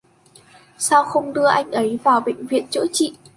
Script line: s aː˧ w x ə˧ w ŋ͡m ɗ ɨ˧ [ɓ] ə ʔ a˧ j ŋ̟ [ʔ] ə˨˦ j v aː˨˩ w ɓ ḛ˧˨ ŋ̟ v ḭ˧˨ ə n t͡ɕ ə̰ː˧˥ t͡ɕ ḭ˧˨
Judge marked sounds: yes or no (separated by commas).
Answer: no, yes